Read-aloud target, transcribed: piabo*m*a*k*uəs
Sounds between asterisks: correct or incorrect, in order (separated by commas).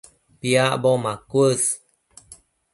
correct, correct